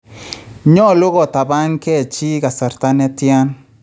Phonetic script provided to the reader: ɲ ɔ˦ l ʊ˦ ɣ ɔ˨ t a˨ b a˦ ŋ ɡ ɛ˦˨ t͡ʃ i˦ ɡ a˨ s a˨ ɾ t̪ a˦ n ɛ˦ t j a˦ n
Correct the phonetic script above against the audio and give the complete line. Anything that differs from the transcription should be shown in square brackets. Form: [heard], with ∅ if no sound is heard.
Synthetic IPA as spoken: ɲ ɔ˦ l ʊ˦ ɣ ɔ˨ t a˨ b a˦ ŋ [k] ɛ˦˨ t͡ʃ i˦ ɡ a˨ s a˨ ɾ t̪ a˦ n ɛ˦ t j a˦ n